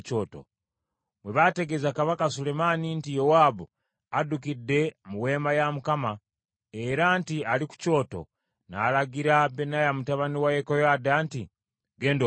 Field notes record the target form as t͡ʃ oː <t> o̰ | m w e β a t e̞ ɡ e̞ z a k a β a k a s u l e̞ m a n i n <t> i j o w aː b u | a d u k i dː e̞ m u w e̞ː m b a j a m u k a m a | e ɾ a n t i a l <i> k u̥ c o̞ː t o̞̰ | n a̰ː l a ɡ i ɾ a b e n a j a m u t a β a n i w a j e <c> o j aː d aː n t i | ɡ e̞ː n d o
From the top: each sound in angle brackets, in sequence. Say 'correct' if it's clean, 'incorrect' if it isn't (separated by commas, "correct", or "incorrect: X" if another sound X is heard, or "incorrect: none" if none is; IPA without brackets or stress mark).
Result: correct, correct, correct, incorrect: k